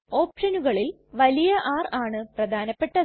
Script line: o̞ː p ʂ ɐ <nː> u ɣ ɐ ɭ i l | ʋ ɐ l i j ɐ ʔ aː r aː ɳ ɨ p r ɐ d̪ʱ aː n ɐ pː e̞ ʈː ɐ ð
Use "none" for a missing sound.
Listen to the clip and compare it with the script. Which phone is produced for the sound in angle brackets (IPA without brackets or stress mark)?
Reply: n